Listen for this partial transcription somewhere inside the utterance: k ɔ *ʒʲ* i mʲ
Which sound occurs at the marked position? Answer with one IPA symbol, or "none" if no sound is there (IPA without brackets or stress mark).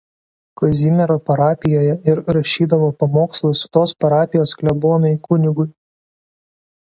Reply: zʲ